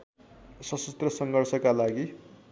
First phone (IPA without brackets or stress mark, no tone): s